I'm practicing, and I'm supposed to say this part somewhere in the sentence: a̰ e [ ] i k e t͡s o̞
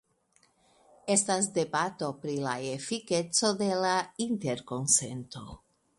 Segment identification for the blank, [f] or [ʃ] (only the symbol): f